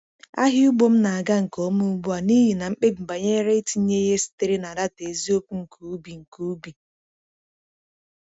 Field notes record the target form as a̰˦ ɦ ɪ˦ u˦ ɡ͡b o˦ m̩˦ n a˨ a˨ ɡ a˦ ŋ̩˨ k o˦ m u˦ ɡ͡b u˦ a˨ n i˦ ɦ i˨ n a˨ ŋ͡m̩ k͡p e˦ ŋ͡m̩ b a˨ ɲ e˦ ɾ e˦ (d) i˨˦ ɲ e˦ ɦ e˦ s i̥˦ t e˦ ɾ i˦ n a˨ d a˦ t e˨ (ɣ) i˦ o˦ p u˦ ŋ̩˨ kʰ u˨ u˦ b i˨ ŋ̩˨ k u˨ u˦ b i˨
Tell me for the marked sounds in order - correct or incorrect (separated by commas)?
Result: incorrect, incorrect